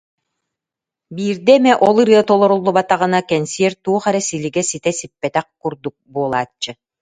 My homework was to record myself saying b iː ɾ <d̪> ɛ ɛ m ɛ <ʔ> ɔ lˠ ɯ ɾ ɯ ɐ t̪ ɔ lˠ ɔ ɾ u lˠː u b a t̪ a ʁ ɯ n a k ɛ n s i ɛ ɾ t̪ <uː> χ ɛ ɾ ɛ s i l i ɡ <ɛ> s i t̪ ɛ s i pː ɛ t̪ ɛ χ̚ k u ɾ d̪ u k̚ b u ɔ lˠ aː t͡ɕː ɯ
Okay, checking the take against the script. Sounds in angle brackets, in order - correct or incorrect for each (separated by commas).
correct, correct, correct, correct